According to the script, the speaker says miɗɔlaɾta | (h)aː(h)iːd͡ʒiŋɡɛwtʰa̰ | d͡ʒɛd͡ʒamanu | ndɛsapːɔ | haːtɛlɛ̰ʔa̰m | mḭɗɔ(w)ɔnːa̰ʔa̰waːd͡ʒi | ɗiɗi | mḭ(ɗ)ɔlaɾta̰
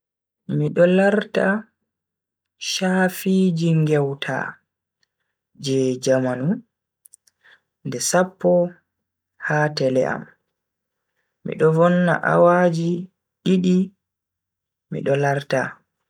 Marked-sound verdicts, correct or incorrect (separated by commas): incorrect, incorrect, incorrect, correct